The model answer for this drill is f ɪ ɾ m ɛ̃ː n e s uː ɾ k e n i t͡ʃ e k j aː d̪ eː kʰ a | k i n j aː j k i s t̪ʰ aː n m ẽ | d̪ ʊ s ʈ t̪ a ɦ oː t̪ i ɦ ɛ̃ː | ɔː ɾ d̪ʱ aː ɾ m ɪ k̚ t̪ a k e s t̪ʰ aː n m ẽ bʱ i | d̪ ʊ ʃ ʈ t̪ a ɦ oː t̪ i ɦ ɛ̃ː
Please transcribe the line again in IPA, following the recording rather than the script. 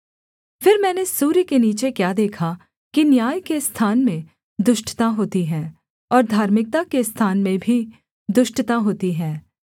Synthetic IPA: f ɪ ɾ m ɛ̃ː n e s uː ɾ k e n iː t͡ʃ e k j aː d̪ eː kʰ a | k i n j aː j k e s t̪ʰ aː n m ẽ | d̪ ʊ ʃ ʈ t̪ a ɦ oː t̪ i ɦ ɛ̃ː | ɔː ɾ d̪ʱ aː ɾ m ɪ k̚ t̪ a k e s t̪ʰ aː n m ẽ bʱ i | d̪ ʊ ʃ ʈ t̪ a ɦ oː t̪ i ɦ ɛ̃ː